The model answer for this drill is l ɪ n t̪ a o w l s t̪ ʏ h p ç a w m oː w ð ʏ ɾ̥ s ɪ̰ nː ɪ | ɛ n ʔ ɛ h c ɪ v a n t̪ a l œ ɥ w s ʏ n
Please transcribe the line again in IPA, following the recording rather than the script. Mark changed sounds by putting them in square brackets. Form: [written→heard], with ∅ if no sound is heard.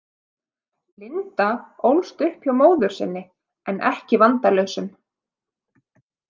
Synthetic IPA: l ɪ n t̪ a o w l s t̪ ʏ h p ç a w m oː w ð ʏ ɾ̥ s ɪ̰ nː ɪ | ɛ n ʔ ɛ h c ɪ v a n t̪ a l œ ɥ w s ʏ [n→m]